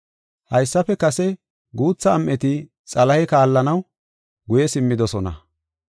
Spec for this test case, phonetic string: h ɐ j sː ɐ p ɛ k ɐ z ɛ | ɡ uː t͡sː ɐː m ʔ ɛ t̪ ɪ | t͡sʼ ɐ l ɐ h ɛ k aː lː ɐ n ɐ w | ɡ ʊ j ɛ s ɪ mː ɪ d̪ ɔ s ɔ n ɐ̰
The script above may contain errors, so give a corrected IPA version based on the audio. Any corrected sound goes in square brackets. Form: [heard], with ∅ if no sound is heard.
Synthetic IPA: h ɐ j sː ɐ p ɛ k ɐ [s] ɛ | ɡ uː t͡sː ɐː m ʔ ɛ t̪ ɪ | t͡sʼ ɐ l ɐ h ɛ k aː lː ɐ n ɐ w | ɡ ʊ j ɛ s ɪ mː ɪ d̪ ɔ s ɔ n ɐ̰

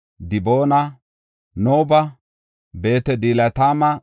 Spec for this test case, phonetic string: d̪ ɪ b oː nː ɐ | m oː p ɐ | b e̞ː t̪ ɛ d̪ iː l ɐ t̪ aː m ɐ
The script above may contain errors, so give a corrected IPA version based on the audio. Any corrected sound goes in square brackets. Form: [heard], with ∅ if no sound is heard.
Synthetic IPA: d̪ ɪ b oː [n] ɐ | [n] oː [b] ɐ | b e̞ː t̪ ɛ d̪ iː l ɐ t̪ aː m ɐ

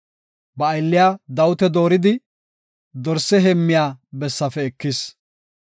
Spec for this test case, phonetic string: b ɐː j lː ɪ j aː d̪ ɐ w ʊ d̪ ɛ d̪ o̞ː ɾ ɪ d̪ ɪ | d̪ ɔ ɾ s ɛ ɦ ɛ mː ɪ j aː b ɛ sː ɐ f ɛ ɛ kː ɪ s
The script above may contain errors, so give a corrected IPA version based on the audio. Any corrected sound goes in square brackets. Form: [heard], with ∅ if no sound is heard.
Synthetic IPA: b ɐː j lː ɪ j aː d̪ ɐ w ʊ [t̪] ɛ d̪ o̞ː ɾ ɪ d̪ ɪ | d̪ ɔ ɾ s ɛ ɦ ɛ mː ɪ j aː b ɛ sː ɐ f ɛ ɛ kː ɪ s

